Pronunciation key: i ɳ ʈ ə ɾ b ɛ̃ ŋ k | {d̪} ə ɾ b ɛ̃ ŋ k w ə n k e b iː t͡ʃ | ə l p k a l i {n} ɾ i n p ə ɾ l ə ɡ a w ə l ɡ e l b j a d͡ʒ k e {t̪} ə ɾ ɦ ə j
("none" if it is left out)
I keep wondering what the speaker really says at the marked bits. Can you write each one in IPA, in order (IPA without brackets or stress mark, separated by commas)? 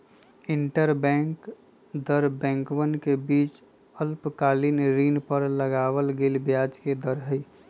d̪, n, d̪